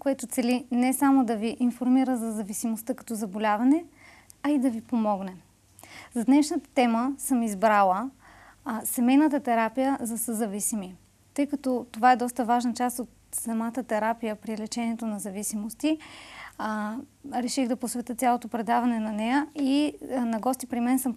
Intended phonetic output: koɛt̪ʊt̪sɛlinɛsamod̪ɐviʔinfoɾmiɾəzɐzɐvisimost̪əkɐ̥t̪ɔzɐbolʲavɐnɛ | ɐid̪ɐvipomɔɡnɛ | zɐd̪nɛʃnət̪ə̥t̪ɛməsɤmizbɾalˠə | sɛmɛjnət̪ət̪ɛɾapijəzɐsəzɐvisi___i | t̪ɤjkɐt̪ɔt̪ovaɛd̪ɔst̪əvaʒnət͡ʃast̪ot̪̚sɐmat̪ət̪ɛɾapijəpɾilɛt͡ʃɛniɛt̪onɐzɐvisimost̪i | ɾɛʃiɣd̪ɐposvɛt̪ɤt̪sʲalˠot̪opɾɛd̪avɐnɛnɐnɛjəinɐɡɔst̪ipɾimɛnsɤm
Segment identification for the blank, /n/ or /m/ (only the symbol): m